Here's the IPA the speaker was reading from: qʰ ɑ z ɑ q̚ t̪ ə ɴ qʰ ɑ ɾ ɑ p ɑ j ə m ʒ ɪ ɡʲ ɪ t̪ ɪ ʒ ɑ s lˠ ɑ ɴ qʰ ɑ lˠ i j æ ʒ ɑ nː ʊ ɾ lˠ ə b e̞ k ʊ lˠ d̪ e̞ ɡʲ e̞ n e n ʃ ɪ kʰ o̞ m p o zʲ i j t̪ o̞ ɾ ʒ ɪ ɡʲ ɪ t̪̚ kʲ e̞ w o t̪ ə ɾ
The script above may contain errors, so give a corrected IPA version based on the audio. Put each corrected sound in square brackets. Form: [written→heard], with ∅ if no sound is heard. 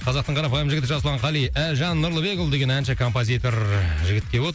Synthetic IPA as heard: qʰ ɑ z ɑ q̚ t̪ ə ɴ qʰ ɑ ɾ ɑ p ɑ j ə m ʒ ɪ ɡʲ ɪ t̪ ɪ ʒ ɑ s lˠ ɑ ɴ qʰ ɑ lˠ i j æ ʒ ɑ nː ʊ ɾ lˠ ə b e̞ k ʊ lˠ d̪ e̞ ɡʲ e̞ n [e→æ] n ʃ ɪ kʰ o̞ m p o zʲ i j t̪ o̞ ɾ ʒ ɪ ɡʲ ɪ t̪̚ kʲ e̞ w o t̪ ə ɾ